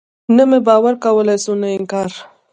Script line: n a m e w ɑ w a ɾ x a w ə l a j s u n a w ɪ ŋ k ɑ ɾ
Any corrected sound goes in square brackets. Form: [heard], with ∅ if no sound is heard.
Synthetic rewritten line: n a m e [b] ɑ w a ɾ [k] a w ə l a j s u n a [∅] ɪ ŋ k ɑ ɾ

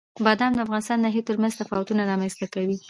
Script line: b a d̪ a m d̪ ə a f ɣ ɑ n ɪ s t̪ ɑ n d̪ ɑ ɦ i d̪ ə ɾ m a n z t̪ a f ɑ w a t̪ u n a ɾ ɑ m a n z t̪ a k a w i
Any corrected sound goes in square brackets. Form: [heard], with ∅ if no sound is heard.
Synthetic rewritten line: b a d̪ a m d̪ ə a f ɣ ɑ n ɪ s t̪ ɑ n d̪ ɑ ɦ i [t̪] ə ɾ m a n z t̪ a f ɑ w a t̪ u n a ɾ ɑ m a n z t̪ a k a w i

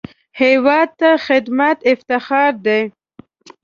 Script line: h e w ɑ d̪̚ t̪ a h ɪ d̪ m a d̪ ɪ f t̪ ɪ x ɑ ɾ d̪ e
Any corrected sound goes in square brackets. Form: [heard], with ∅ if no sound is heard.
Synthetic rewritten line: h e w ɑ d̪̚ t̪ a [x] ɪ d̪ m a [t̪] ɪ f t̪ ɪ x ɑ ɾ d̪ e

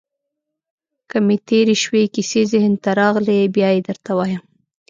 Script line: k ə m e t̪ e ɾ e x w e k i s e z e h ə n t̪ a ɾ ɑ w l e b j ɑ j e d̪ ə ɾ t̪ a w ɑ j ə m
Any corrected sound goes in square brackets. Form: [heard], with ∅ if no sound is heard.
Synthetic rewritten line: k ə m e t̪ e ɾ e [ʃ] w e k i s e z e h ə n t̪ a ɾ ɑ [ɣ] l e b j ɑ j e d̪ ə ɾ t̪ a w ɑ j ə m

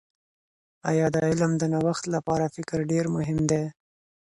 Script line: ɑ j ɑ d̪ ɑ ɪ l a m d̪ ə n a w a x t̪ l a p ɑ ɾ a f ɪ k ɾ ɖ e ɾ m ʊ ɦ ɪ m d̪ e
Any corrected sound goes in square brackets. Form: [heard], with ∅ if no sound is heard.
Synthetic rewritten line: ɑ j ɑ d̪ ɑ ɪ l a m d̪ ə n a w a x t̪ l a p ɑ ɾ a f ɪ k ɾ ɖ e ɾ m ʊ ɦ ɪ m d̪ e

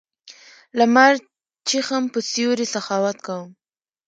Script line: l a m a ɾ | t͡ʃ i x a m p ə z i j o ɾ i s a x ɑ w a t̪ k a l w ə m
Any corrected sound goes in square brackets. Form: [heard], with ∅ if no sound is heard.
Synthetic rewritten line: l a m a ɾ | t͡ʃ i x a m p ə [s] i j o ɾ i s a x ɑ w a t̪ k a [∅] w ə m

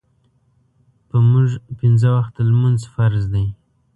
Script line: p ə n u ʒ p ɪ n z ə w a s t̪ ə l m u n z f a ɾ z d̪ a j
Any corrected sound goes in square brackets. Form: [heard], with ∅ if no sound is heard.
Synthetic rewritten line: p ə [m] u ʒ p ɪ n z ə w a [x] t̪ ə l m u n z f a ɾ z d̪ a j

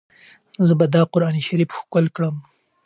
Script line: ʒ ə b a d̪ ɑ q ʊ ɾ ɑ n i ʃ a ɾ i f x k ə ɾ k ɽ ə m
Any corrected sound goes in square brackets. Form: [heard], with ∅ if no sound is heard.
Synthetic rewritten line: [z] ə b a d̪ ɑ q ʊ ɾ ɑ n i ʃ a ɾ i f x k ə [l] k ɽ ə m

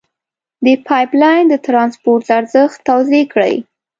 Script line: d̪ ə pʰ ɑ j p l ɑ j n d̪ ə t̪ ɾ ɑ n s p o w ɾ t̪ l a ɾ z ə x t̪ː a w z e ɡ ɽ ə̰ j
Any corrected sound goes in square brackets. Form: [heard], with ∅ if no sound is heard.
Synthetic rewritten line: d̪ ə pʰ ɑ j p l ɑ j n d̪ ə t̪ ɾ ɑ n s p o [∅] ɾ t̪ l a ɾ z ə x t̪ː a w z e [k] ɽ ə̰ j

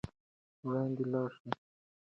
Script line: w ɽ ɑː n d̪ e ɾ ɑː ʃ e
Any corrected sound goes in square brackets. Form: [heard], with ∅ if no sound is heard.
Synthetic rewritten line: w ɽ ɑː n d̪ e [l] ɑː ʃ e

